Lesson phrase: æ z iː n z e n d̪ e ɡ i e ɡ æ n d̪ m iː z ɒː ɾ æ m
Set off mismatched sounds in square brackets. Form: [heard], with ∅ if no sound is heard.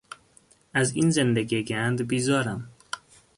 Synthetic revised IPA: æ z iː n z e n d̪ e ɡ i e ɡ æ n d̪ [b] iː z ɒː ɾ æ m